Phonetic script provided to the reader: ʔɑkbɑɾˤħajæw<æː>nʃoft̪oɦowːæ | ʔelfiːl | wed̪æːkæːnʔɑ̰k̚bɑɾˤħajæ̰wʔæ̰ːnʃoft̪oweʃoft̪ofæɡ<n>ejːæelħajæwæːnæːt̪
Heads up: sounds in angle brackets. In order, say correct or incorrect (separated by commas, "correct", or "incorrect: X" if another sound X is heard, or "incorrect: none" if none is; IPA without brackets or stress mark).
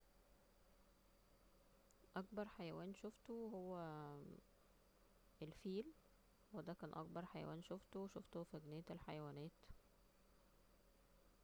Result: correct, correct